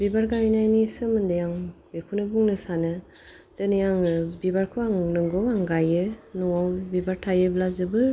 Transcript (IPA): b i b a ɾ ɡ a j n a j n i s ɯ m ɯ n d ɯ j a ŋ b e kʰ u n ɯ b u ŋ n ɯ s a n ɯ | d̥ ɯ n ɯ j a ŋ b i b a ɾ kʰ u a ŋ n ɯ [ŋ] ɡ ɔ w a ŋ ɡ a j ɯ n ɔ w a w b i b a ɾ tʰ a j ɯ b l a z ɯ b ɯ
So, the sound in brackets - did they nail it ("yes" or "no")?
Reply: yes